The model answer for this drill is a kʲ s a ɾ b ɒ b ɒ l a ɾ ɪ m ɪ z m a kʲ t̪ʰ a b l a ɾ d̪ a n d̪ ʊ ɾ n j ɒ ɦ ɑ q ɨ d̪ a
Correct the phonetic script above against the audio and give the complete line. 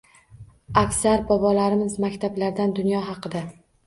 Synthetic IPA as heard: a kʲ s a ɾ b ɒ b ɒ l a ɾ ɪ m ɪ z m a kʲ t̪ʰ a b l a ɾ d̪ a n d̪ ʊ n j ɒ ɦ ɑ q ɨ d̪ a

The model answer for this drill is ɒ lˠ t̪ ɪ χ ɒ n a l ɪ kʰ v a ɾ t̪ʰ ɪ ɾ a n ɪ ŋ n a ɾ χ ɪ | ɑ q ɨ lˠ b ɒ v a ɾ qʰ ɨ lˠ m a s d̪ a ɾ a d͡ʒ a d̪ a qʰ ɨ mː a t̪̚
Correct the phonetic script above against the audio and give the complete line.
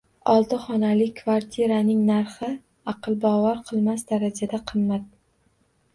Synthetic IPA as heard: ɒ lˠ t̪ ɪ χ ɒ n a l ɪ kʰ v a ɾ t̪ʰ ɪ ɾ a n ɪ ŋ n a ɾ χ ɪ | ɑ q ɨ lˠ b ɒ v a ɾ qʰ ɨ lˠ m a s d̪ a ɾ a d͡ʒ a d̪ a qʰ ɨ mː a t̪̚

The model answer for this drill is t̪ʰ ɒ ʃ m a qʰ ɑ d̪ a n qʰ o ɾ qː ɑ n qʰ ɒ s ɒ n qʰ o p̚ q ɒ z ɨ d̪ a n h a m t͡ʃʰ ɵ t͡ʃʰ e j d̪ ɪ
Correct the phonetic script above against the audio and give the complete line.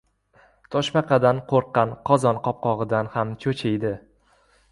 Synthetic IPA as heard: t̪ʰ ɒ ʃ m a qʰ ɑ d̪ a n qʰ o ɾ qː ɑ n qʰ ɒ z ɒ n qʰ ɒ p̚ q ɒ ʁ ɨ d̪ a n h a m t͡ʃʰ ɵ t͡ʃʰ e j d̪ ɪ

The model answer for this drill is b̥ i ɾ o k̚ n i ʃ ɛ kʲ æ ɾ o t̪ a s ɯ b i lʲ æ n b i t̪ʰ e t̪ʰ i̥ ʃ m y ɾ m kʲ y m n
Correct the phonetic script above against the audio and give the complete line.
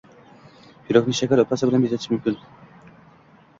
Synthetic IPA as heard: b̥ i ɾ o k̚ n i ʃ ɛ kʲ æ ɾ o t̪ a s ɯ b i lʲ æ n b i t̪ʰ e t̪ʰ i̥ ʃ m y m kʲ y n

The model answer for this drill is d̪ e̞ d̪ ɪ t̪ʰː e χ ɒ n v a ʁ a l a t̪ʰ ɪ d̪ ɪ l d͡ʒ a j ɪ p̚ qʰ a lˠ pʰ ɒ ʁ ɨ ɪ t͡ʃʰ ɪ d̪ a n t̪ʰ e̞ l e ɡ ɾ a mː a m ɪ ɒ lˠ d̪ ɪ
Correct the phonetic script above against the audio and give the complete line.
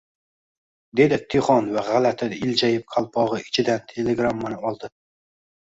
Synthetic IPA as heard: d̪ e̞ d̪ ɪ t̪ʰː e χ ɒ n v a ʁ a l a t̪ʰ ɪ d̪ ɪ l d͡ʒ a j ɪ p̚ qʰ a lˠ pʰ ɒ ʁ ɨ ɪ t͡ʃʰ ɪ d̪ a n t̪ʰ e̞ l e ɡ ɾ a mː a n ɪ ɒ lˠ d̪ ɪ

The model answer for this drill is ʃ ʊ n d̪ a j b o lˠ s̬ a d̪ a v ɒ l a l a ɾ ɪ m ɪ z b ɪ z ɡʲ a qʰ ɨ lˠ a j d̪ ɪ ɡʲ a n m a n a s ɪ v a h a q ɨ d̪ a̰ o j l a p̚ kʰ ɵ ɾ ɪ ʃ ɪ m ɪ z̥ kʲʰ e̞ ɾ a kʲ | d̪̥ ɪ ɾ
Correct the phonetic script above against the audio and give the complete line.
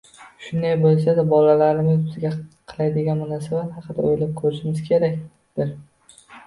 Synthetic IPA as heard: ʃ ʊ n d̪ a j b o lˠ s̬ a d̪ a b ɒ l a l a ɾ ɪ m ɪ z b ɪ z ɡʲ a qʰ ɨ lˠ a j d̪ ɪ ɡʲ a n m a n a s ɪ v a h ɑ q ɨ d̪ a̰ o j l a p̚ kʰ ɵ ɾ ɪ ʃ ɪ m ɪ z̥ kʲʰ e̞ ɾ a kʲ | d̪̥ ɪ ɾ

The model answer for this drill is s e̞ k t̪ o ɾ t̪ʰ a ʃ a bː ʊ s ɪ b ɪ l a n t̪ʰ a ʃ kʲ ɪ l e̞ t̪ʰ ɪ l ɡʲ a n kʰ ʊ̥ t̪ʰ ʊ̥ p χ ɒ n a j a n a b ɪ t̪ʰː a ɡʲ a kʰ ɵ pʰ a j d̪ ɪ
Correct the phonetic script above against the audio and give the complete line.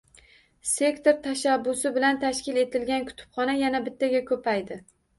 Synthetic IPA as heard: s e̞ k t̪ o ɾ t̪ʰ a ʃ a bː ʊ s ɪ b ɪ l a n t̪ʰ a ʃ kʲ ɪ l e̞ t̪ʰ ɪ l ɡʲ a n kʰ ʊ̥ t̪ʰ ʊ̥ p χ ɒ n a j a n a b ɪ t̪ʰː a ɡʲ a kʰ ɵ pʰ a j d̪ ɪ

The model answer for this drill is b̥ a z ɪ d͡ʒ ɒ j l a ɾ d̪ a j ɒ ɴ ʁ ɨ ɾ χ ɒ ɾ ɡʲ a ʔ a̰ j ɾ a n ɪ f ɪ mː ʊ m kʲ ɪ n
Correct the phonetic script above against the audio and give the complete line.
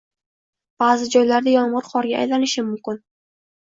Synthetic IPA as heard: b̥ a z ɪ d͡ʒ ɒ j l a ɾ d̪ a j ɒ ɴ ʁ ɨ ɾ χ ɒ ɾ ɡʲ a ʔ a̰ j l a n ɪ ʃ ɪ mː ʊ m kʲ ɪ n

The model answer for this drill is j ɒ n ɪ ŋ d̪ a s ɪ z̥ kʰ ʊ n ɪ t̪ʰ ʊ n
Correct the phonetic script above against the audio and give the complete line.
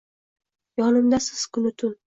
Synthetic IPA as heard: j ɒ n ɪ m d̪ a s ɪ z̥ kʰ ʊ n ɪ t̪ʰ ʊ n

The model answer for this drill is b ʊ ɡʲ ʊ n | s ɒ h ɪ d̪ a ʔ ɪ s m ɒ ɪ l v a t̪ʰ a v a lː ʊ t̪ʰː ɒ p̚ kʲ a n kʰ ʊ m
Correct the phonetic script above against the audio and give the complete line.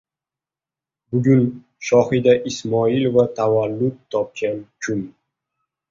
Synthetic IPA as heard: b ʊ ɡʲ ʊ n | ʃ ɒ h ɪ d̪ a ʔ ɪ s m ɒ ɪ l v a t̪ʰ a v a lː ʊ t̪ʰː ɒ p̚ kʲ a n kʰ ʊ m

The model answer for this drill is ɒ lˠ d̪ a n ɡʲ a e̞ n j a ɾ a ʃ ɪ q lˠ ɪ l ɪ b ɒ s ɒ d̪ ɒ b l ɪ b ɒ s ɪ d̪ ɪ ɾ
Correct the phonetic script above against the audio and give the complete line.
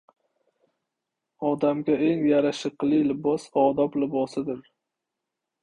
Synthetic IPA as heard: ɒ d̪ a m ɡʲ a e̞ ŋ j a ɾ a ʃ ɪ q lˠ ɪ l ɪ b ɒ s ɒ d̪ ɒ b l ɪ b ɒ s ɪ d̪ ɪ ɾ

